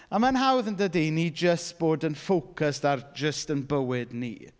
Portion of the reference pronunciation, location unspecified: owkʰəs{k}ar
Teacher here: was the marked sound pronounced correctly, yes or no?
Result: no